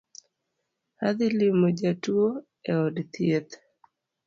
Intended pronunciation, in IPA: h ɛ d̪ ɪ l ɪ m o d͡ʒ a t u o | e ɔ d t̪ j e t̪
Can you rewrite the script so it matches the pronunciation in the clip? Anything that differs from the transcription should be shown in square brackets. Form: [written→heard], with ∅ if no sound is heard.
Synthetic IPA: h [ɛ→a] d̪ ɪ l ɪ m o d͡ʒ a t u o | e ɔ d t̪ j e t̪